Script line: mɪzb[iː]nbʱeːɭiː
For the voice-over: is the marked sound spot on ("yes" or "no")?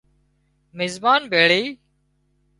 no